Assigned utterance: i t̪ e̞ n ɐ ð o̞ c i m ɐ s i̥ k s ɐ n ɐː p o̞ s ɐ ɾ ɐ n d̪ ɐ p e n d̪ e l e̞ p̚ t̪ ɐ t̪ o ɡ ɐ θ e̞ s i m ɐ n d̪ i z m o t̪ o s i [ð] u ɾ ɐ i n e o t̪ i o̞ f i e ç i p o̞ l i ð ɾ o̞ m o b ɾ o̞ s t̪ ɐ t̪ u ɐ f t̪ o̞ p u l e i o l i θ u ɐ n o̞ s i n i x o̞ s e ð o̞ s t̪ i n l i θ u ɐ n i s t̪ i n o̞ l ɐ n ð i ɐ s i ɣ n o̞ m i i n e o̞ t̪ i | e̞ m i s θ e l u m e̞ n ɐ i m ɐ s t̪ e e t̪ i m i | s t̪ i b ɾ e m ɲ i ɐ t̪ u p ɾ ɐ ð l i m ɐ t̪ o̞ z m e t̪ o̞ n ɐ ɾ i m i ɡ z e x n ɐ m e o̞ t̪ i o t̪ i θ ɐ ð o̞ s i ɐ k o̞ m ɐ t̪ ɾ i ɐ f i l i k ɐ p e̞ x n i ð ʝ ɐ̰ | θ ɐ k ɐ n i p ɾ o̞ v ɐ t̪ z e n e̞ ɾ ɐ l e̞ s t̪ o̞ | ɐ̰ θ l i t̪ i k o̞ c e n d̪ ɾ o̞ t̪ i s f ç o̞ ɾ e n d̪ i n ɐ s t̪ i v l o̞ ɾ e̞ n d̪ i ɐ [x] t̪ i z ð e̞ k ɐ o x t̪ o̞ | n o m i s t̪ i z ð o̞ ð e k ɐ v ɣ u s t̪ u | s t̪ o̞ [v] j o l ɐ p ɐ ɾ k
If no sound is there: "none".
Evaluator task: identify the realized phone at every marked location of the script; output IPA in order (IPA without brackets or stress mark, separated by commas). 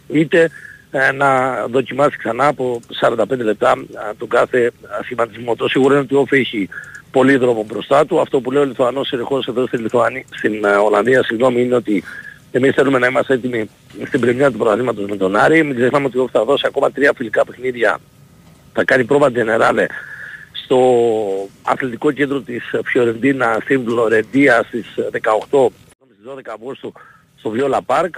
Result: ɣ, s, v